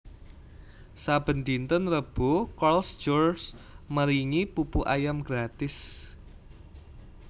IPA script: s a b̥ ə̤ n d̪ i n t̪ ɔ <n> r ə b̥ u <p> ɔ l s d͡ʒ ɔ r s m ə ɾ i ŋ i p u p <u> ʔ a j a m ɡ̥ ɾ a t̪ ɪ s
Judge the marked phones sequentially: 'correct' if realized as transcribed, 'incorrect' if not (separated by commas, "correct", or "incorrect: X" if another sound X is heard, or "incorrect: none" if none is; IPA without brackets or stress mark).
correct, incorrect: k, correct